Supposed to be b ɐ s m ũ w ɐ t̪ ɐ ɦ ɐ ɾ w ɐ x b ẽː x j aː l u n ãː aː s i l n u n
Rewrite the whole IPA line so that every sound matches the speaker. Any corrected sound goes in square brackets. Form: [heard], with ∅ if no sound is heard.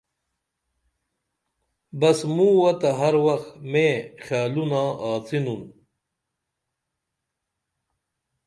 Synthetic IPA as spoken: b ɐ s m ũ w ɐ t̪ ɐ ɦ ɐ ɾ w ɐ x [m] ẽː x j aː l u n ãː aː [t͡s] i [∅] n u n

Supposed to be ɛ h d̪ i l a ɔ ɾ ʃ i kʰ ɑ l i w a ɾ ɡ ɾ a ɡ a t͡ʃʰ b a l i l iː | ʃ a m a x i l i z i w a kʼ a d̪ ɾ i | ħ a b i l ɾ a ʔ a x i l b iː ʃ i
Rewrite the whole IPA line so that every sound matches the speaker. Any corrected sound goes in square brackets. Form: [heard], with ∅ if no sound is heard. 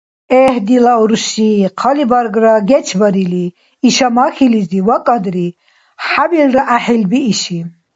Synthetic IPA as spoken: ɛ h d̪ i l a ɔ ɾ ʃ i [qʰ] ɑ l i [b] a ɾ ɡ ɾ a ɡ [ɛ] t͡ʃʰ b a [ɾ] i l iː | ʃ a m a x i l i z i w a kʼ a d̪ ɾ i | ħ a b i l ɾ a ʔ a [ħ] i l b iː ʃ i

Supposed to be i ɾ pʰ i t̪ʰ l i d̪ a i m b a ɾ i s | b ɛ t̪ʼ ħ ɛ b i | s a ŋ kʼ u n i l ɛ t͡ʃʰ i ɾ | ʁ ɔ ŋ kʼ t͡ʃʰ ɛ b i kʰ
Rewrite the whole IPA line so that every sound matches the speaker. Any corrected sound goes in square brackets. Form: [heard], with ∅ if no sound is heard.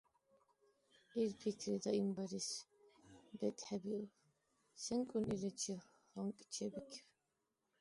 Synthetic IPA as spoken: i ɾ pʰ i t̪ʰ [ɾ] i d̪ a i m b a ɾ i s | b ɛ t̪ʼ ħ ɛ b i | s [ɛ] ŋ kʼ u n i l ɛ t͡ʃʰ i [∅] | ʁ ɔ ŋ kʼ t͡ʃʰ ɛ b i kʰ

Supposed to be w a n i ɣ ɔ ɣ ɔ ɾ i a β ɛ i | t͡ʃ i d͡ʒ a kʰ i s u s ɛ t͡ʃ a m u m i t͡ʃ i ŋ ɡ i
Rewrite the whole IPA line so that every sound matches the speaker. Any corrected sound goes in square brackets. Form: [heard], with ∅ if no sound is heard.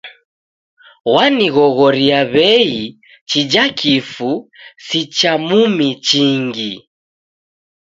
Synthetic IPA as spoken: w a n i ɣ ɔ ɣ ɔ ɾ i a β ɛ i | t͡ʃ i d͡ʒ a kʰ i [f] u s [i] t͡ʃ a m u m i t͡ʃ i ŋ ɡ i

